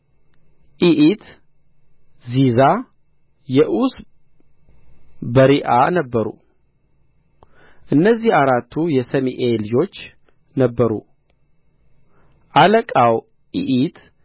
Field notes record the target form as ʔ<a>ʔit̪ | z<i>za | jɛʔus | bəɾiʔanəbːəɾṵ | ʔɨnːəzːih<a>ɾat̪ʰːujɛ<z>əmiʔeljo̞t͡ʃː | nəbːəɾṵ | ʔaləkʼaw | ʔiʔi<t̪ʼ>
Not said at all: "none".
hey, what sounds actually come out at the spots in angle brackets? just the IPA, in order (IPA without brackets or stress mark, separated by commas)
i, i, a, s, t̪